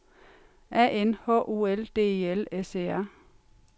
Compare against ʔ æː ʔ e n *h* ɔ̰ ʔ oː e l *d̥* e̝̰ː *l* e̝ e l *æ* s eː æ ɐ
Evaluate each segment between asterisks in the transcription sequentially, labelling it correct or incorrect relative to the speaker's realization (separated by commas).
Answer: correct, correct, incorrect, incorrect